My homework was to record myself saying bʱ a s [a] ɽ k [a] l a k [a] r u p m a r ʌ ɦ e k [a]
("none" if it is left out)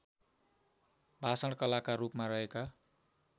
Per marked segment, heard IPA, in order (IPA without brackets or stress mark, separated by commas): ʌ, ʌ, a, a